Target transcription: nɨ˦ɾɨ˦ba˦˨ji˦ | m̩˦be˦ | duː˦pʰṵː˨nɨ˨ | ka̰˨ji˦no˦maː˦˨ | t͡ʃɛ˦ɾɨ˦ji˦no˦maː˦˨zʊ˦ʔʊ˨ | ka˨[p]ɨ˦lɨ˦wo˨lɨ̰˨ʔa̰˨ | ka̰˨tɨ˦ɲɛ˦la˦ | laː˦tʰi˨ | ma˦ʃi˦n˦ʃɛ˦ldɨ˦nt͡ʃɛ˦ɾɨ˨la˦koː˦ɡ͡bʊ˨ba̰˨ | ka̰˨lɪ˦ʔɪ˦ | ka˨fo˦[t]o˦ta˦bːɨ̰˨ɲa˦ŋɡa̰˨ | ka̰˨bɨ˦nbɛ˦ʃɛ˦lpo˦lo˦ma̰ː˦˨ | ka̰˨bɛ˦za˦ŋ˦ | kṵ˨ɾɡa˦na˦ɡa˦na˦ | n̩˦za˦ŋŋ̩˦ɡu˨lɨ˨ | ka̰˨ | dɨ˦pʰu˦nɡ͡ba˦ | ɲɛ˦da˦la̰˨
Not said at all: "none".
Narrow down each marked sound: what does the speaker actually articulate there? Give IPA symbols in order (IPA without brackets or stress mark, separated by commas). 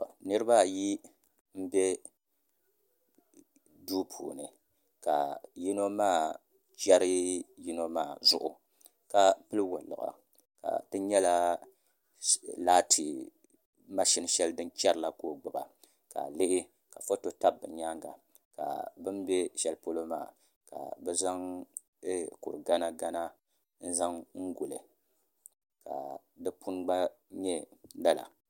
p, t